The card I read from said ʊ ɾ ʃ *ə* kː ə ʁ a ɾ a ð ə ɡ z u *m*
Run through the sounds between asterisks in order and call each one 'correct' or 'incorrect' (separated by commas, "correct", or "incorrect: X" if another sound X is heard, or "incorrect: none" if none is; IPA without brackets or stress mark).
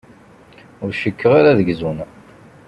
correct, incorrect: n